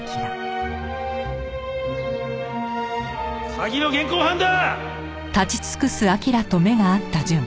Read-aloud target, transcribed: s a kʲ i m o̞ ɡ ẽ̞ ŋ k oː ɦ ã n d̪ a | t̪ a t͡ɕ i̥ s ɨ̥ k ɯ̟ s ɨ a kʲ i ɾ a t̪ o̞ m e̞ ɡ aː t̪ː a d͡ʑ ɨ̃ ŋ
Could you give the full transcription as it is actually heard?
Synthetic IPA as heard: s a ɡʲ i n o̞ ɡ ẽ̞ ŋ k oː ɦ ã n d̪ a | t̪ a t͡ɕ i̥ t͡s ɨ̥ k ɯ̟ s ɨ a kʲ i ɾ a t̪ o̞ m e̞ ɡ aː t̪ː a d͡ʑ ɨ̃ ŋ